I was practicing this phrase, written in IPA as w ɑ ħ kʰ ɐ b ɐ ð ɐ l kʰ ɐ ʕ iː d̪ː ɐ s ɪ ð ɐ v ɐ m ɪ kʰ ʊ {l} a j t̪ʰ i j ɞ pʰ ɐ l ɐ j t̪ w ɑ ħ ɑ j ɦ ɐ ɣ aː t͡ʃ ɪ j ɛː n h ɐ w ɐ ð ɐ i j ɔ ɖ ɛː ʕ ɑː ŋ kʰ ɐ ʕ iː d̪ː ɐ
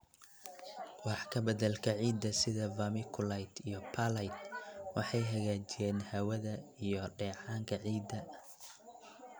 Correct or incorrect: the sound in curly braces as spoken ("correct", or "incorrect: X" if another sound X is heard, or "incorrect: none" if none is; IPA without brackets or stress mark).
correct